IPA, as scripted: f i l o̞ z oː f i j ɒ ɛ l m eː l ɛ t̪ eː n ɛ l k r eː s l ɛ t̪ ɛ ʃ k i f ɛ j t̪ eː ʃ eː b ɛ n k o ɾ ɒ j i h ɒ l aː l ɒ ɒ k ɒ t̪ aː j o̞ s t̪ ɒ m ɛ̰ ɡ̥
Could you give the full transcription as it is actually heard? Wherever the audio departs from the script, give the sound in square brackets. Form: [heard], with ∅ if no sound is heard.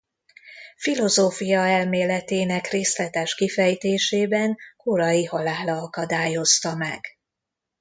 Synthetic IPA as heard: f i l o̞ z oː f i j ɒ ɛ l m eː l ɛ t̪ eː n ɛ [∅] k r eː s l ɛ t̪ ɛ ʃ k i f ɛ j t̪ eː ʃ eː b ɛ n k o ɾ ɒ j i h ɒ l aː l ɒ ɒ k ɒ [d̪] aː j o̞ s t̪ ɒ m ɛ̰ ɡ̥